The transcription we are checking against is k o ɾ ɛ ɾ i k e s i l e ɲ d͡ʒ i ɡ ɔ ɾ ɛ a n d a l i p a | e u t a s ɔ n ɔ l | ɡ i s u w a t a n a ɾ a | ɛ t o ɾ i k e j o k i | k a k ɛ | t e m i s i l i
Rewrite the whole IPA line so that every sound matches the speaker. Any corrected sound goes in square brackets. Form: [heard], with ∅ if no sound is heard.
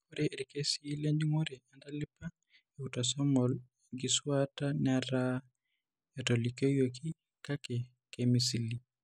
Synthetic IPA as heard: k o ɾ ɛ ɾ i k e s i l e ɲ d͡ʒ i [ŋ] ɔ ɾ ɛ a n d a l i p a | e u t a s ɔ [m] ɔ l | ɡ i s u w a t a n a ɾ a | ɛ t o [l] i k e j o k i | k a k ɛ | [k] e m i s i l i